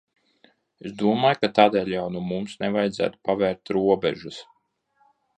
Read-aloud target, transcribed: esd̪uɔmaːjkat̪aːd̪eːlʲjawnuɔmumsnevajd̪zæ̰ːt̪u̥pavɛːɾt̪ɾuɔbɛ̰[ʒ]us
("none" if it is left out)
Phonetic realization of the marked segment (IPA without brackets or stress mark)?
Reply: ʒ